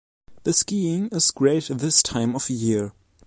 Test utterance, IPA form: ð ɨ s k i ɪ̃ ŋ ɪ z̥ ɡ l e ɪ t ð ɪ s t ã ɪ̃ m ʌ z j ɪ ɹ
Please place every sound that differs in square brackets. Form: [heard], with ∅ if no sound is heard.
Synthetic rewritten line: ð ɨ s k i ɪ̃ ŋ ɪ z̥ ɡ [ɹ] e ɪ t ð ɪ s [tʰ] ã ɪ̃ m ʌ [v] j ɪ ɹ